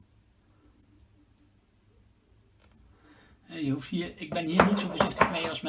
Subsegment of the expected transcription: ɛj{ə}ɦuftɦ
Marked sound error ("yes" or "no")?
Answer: no